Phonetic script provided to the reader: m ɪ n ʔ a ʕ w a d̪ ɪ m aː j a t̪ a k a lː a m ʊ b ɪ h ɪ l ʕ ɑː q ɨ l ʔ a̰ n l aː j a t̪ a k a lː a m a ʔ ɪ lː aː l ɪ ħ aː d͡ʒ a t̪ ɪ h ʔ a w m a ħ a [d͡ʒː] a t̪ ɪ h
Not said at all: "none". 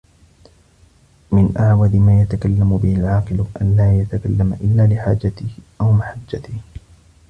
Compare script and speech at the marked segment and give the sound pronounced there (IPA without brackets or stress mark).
d͡ʒː